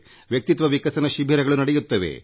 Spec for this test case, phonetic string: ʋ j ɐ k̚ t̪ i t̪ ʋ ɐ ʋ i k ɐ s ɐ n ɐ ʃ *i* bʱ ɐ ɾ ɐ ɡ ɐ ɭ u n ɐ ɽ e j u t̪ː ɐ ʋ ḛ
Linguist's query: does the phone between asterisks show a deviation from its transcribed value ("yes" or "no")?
no